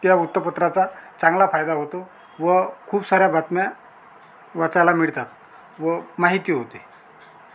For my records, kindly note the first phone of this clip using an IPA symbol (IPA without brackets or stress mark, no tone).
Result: t̪